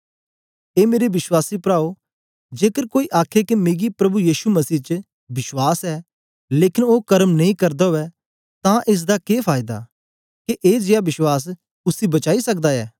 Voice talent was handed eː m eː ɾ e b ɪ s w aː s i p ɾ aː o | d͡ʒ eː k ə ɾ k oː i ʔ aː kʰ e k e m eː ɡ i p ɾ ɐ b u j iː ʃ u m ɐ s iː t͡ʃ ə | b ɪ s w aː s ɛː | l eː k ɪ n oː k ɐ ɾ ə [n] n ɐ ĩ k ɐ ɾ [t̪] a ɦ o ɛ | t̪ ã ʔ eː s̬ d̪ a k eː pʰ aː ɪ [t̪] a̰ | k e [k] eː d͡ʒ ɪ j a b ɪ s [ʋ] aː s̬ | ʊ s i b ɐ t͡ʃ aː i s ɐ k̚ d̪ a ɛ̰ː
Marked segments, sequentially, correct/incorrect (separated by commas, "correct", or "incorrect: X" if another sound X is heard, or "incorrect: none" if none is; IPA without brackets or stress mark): incorrect: m, incorrect: d̪, incorrect: d̪, incorrect: ʔ, incorrect: w